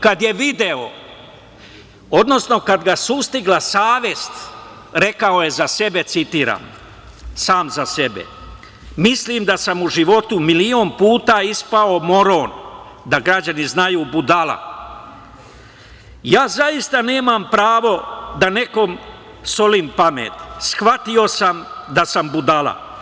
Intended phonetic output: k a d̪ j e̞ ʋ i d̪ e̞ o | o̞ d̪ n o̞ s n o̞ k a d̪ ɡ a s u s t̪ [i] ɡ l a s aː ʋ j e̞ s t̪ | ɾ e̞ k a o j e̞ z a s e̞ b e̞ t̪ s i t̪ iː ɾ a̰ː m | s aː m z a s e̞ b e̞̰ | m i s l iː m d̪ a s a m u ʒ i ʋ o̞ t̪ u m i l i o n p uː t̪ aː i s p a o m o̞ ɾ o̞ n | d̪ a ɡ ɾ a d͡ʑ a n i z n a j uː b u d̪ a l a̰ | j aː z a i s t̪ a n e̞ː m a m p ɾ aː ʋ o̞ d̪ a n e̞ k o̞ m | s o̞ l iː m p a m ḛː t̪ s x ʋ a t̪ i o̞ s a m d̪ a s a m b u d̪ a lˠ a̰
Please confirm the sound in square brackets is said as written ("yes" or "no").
yes